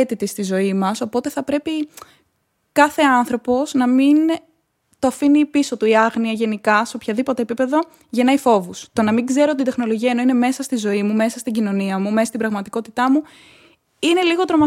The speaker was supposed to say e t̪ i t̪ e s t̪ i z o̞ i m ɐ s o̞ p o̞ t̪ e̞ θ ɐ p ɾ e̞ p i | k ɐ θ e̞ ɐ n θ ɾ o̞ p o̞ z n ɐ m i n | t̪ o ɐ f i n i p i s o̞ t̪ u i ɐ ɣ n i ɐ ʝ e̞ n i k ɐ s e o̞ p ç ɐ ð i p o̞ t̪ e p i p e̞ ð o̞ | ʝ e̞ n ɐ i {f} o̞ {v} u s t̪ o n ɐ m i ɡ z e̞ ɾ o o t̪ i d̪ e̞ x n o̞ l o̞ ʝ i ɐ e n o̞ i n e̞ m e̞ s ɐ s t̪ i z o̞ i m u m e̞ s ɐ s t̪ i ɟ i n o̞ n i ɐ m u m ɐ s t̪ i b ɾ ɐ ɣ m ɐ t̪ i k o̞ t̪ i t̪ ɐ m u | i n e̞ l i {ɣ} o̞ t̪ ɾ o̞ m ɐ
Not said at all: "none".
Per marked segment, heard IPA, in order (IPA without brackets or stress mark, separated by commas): f, v, ɣ